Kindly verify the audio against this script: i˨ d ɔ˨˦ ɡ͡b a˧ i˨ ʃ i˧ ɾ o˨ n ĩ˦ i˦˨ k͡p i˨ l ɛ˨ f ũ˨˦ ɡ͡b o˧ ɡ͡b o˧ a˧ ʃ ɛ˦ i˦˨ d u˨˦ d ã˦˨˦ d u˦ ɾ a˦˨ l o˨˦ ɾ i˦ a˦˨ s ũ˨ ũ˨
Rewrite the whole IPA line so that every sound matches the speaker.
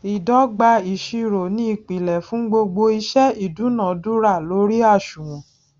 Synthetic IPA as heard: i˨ d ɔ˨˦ ɡ͡b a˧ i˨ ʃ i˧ ɾ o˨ n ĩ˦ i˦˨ k͡p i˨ l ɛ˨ f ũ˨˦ ɡ͡b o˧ ɡ͡b o˧ i˧ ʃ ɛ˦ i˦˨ d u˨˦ n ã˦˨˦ d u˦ ɾ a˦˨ l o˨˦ ɾ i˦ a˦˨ ʃ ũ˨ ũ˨